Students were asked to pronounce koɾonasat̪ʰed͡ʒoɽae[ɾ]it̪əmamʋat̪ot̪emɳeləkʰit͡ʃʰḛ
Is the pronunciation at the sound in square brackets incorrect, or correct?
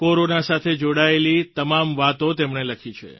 incorrect